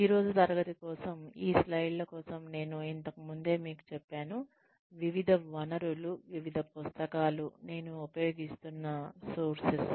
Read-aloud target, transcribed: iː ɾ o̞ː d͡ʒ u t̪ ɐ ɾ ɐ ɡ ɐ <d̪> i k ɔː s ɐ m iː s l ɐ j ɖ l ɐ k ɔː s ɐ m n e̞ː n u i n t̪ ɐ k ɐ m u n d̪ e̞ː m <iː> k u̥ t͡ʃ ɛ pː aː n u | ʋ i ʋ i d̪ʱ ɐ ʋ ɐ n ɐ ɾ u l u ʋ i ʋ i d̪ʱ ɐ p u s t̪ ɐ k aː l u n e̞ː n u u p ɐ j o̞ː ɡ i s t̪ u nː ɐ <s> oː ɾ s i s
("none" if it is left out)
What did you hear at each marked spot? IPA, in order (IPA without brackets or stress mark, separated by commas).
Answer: t̪, iː, s